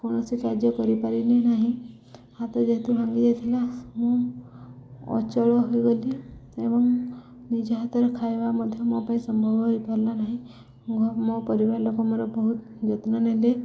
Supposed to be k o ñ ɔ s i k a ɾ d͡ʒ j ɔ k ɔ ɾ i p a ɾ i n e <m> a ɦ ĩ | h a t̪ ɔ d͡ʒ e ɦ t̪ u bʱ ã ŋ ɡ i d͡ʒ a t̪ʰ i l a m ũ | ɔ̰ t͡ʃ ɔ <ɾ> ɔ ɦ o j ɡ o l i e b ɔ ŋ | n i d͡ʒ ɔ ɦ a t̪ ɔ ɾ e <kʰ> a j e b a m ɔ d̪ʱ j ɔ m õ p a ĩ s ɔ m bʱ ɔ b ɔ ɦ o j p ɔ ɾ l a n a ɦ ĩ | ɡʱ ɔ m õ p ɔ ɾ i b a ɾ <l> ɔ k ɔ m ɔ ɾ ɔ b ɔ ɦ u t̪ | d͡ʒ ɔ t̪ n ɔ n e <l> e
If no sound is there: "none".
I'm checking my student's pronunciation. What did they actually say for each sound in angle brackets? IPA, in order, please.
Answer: n, ɭ, kʰ, l, l

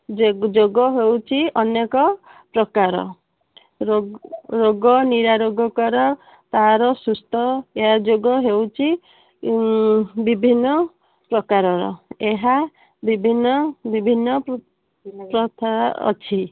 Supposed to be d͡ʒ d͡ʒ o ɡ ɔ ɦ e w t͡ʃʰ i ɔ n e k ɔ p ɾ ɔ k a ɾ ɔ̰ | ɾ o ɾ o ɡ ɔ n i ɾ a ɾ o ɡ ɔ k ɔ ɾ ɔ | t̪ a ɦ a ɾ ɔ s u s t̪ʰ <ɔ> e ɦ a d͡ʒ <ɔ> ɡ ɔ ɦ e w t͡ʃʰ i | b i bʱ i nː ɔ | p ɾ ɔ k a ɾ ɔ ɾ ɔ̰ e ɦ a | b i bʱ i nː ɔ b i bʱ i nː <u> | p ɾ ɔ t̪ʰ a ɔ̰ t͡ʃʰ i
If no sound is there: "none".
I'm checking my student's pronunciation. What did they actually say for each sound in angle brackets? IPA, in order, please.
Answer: ɔ, o, ɔ

